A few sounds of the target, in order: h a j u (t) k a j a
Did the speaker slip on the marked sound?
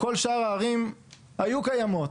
yes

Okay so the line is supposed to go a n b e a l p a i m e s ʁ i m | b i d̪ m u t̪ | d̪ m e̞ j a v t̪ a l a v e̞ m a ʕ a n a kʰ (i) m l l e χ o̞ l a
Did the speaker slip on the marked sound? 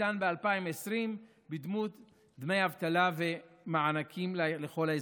no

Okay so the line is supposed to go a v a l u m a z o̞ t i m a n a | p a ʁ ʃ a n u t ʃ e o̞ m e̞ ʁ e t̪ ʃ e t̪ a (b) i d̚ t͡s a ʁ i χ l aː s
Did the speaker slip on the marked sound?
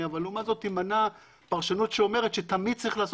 yes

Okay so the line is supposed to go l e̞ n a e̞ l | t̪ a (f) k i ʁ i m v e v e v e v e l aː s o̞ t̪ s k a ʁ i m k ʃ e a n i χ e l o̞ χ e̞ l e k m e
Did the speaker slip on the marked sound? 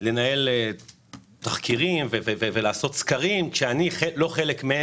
yes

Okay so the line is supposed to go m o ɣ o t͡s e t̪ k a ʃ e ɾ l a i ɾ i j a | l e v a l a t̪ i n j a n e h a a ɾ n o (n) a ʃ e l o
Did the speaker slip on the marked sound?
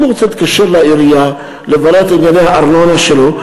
no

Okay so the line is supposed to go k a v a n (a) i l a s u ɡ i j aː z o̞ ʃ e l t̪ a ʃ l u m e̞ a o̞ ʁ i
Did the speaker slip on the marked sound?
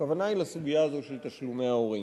no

